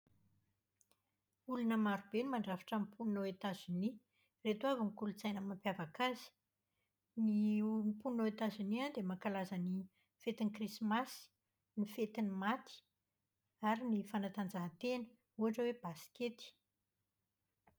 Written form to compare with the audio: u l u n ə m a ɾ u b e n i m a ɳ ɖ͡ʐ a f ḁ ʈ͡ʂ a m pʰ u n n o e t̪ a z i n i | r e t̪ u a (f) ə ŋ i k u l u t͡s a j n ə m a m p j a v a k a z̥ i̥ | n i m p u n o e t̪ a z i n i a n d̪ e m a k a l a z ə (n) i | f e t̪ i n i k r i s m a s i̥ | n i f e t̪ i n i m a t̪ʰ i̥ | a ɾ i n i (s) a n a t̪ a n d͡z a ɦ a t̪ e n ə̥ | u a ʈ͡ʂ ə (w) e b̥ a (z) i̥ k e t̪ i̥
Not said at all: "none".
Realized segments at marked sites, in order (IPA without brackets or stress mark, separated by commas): v, n, f, w, s